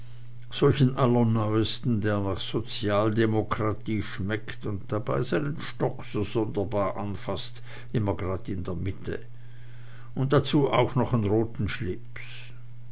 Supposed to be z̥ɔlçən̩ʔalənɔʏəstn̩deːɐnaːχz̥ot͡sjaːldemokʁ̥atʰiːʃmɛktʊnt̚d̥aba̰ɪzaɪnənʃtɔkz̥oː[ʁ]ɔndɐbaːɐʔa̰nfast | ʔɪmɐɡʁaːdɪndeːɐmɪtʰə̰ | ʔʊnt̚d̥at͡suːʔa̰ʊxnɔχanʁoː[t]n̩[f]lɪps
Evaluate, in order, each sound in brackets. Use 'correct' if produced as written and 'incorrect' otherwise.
incorrect: z, correct, incorrect: ʃ

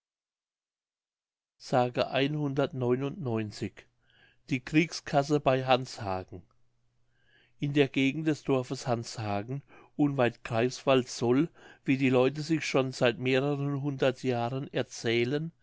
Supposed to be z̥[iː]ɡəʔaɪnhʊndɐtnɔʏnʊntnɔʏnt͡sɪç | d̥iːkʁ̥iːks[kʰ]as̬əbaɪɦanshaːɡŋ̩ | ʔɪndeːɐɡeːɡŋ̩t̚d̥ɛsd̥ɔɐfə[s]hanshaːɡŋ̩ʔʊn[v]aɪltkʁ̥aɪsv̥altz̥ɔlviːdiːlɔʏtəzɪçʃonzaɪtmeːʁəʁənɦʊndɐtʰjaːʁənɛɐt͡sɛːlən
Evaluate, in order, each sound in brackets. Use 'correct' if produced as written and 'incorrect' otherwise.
incorrect: aː, correct, correct, correct

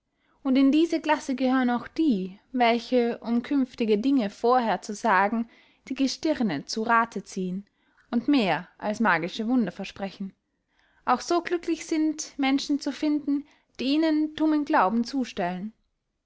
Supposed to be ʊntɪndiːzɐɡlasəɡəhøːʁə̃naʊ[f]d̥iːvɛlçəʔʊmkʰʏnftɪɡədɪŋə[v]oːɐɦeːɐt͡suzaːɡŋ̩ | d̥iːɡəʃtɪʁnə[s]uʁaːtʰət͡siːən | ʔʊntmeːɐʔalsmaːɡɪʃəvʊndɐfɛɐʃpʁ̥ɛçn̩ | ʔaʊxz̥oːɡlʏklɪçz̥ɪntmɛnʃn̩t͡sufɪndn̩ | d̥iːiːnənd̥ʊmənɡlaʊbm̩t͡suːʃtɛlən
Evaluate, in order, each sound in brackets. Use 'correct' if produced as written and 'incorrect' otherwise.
incorrect: x, incorrect: f, incorrect: t͡s

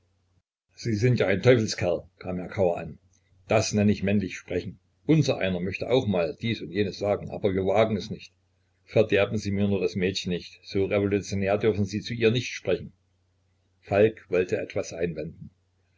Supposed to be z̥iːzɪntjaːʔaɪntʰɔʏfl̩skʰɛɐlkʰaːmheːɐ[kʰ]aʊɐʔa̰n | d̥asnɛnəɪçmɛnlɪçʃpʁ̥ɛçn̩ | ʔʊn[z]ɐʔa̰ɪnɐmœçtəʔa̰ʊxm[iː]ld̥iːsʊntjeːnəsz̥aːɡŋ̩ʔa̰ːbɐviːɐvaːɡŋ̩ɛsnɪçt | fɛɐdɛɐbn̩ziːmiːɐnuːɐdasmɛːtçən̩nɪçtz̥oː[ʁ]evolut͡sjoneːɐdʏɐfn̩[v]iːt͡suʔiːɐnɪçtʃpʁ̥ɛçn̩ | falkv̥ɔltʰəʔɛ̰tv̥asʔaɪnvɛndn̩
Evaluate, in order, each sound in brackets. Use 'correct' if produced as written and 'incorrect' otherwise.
correct, correct, incorrect: aː, correct, incorrect: z

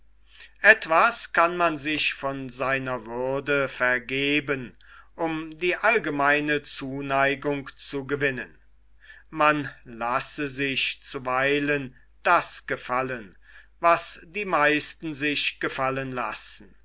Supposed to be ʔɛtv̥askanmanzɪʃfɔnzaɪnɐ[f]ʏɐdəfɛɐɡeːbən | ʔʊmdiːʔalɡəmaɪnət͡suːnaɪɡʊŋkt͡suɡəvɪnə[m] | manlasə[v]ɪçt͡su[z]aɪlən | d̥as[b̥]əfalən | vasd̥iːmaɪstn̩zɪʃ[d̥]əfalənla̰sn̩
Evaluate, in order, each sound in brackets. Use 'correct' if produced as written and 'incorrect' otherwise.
incorrect: v, incorrect: n, incorrect: z, incorrect: v, incorrect: ɡ̥, incorrect: ɡ̥

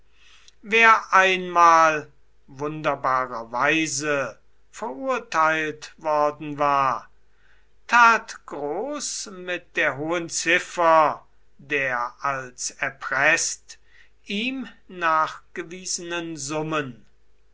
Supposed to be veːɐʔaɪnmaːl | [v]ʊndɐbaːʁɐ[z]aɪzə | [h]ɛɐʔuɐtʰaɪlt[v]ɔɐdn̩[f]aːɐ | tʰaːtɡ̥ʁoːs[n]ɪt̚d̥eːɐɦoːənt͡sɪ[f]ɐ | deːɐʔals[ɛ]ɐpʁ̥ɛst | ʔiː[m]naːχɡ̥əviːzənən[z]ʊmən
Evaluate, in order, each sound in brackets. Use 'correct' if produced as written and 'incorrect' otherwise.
correct, incorrect: v, incorrect: f, correct, incorrect: v, incorrect: m, correct, correct, correct, correct

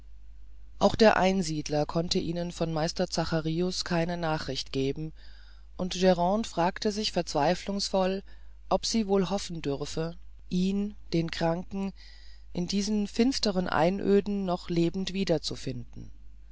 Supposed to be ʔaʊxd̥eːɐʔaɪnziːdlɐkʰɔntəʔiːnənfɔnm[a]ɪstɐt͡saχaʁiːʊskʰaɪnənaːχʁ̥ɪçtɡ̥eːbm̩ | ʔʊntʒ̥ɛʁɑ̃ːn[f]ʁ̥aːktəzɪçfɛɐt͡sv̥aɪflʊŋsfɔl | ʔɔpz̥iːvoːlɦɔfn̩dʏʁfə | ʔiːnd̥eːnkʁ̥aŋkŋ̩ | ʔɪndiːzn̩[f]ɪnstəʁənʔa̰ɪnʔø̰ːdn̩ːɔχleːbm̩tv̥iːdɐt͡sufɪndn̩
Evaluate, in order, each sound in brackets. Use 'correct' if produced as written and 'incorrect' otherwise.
correct, correct, correct

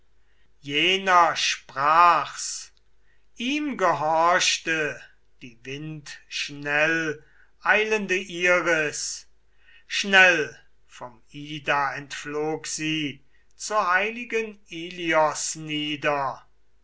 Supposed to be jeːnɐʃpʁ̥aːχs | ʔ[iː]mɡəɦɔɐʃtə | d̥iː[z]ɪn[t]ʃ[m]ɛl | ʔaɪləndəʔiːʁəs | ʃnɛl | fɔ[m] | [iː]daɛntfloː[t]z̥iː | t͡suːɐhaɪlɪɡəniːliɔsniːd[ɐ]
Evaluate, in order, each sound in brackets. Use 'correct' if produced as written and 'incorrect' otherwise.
correct, incorrect: v, correct, incorrect: n, correct, correct, incorrect: k, correct

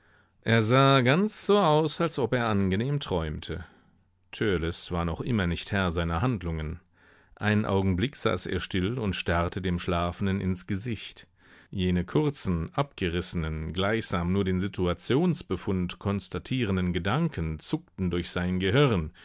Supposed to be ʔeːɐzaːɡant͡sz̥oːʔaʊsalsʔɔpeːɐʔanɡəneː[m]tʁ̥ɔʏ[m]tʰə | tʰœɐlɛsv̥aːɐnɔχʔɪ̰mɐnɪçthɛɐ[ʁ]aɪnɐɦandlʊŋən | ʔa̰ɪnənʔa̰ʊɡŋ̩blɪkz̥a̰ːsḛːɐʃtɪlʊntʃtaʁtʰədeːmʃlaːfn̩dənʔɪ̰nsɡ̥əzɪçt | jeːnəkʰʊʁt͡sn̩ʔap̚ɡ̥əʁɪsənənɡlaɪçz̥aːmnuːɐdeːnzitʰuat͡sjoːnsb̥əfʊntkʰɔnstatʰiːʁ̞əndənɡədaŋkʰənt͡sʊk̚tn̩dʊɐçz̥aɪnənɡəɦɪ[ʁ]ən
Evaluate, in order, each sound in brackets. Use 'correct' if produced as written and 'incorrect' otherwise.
correct, correct, incorrect: z, correct

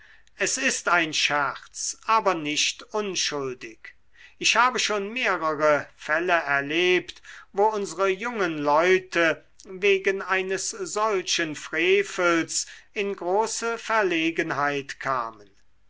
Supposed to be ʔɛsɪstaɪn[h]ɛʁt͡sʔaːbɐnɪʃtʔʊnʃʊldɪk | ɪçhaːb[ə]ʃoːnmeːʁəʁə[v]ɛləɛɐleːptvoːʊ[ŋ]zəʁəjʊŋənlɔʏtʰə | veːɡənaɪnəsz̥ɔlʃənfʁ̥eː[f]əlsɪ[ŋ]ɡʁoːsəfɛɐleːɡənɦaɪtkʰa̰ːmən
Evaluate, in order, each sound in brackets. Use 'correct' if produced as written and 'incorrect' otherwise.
incorrect: ʃ, correct, incorrect: f, incorrect: n, correct, incorrect: n

